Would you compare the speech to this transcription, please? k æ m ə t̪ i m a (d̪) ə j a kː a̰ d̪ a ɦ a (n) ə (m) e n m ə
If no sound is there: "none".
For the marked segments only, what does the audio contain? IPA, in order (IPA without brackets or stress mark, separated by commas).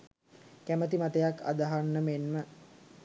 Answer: t̪, nː, m